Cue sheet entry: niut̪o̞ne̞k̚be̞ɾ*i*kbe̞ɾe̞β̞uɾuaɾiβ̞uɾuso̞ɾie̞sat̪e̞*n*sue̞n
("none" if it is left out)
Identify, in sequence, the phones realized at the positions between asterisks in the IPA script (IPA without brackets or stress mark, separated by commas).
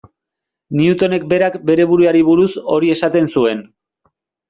a, n